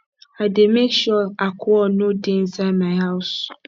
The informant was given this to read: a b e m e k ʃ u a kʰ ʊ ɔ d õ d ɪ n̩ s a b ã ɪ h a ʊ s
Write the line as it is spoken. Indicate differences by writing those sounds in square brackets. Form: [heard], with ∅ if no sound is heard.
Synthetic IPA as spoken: a [d] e m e k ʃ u a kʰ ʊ ɔ [n] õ d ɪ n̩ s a [m] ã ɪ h a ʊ s